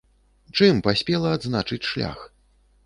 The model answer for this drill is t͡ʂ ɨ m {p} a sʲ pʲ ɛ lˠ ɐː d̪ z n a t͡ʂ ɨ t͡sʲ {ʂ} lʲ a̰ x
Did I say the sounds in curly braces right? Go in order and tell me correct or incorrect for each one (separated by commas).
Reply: correct, correct